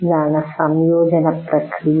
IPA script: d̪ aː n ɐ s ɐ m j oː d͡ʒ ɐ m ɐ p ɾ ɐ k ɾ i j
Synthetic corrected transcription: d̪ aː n ɐ s ɐ m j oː d͡ʒ ɐ n ɐ p ɾ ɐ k ɾ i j

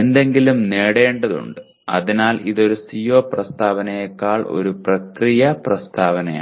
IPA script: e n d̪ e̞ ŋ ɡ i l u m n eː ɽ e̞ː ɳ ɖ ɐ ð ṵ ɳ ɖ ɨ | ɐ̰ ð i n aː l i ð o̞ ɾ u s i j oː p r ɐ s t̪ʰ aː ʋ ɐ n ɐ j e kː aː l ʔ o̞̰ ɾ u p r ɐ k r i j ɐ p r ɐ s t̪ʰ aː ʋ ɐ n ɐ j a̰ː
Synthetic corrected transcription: e n d̪ e̞ ŋ ɡ i l u m n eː ɽ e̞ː ɳ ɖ ɐ ð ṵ ɳ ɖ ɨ | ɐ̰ ð i n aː l i ð o̞ ɾ u s i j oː p r ɐ s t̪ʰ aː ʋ ɐ n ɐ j e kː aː ɭ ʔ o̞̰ ɾ u p r ɐ k r i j ɐ p r ɐ s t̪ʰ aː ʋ ɐ n ɐ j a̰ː

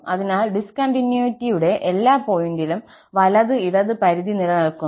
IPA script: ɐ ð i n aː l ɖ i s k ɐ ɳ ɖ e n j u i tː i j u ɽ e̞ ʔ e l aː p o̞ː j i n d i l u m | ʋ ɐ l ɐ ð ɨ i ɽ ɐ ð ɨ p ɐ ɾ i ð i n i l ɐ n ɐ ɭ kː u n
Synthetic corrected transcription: ɐ ð i n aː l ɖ i s k ɐ ɳ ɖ i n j u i tː i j u ɽ e̞ ʔ e lː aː p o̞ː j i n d i l u m | ʋ ɐ l ɐ ð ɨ i ɽ ɐ ð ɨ p ɐ ɾ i ð i n i l ɐ n ɐ ɭ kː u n

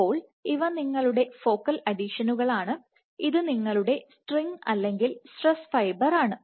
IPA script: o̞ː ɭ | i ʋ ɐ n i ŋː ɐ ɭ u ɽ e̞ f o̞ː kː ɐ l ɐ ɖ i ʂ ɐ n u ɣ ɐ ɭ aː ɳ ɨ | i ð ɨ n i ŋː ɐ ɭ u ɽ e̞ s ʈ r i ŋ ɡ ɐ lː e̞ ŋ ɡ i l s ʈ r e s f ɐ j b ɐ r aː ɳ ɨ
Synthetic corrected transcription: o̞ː ɭ | i ʋ ɐ n i ŋː ɐ ɭ u ɽ e̞ f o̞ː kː ɐ l ɐ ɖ i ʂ ɐ n u ɣ ɐ ɭ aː ɳ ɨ | i ð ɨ n i ŋː ɐ ɭ u ɽ e̞ s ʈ r i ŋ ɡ ɐ lː e̞ ŋ ɡ i l s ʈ r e s f ɐ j b ɐ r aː ɳ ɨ

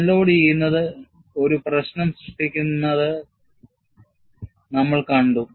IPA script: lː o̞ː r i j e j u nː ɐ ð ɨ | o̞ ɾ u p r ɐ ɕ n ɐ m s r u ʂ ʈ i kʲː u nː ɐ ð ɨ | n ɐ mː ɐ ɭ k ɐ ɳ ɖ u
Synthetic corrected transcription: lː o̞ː ɽ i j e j u nː ɐ ð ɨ | o̞ ɾ u p r ɐ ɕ n ɐ m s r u ʂ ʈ i kʲː u nː ɐ ð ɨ | n ɐ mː ɐ ɭ k ɐ ɳ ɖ u

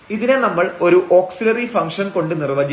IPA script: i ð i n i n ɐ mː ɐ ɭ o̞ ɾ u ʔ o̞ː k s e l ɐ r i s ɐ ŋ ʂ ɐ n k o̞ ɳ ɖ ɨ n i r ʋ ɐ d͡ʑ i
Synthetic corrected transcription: i ð i n e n ɐ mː ɐ ɭ o̞ ɾ u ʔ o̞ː k s i l ɐ r i f ɐ ŋ ʂ ɐ n k o̞ ɳ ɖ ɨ n i r ʋ ɐ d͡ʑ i

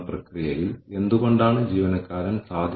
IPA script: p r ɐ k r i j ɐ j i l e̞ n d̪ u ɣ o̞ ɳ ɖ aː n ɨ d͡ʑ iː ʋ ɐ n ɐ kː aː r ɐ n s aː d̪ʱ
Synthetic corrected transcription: p r ɐ k r i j ɐ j i l e̞ n d̪ u ɣ o̞ ɳ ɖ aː ɳ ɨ d͡ʑ iː ʋ ɐ n ɐ kː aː ɾ ɐ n s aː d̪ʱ

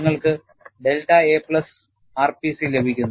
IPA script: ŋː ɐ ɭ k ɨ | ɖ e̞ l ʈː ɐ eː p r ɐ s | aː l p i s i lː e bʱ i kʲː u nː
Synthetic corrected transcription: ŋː ɐ ɭ k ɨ | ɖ e̞ l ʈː ɐ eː p ɭ ɐ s | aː r p i s i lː e bʱ i kʲː u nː

